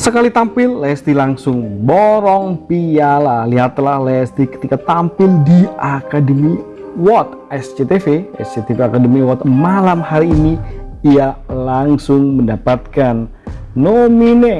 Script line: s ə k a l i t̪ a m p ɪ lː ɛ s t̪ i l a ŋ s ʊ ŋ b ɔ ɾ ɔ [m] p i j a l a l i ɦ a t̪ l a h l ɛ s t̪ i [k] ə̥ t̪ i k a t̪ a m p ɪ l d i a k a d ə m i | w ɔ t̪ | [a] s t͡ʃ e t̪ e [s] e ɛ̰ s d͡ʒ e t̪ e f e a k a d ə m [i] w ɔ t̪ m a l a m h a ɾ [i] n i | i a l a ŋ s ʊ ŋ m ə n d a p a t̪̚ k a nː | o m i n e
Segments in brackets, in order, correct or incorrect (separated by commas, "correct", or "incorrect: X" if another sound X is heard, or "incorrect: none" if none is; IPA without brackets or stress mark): incorrect: ŋ, correct, incorrect: ɛ, incorrect: f, correct, incorrect: iː